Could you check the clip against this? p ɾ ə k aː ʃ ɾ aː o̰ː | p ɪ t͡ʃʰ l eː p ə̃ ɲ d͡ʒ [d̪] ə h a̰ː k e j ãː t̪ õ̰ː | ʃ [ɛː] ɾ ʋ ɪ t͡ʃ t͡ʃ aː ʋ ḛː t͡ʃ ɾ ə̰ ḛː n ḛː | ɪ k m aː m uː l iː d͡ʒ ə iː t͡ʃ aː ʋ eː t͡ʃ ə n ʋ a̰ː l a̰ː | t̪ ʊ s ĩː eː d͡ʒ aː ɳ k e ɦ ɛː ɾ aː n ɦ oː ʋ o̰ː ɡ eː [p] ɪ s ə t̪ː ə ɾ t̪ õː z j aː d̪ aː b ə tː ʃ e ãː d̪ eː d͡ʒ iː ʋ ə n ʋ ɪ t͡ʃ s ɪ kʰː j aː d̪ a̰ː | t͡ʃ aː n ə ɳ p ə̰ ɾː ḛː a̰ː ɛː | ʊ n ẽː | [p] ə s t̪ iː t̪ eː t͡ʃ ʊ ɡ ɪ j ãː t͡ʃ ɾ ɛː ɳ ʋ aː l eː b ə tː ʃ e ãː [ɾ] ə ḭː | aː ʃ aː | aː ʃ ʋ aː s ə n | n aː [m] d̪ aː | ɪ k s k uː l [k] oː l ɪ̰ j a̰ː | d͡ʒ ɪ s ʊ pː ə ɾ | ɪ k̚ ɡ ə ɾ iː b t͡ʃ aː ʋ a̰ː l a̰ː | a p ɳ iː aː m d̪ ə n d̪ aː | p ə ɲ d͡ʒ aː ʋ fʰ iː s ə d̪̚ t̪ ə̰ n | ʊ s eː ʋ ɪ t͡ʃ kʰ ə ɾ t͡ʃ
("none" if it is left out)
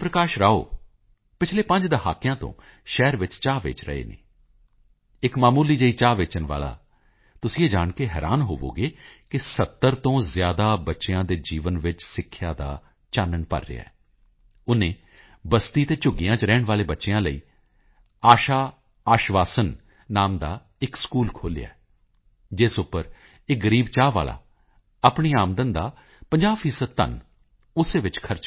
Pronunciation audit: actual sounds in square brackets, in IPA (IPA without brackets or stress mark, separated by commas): d̪, ɛː, k, b, l, m, kʰ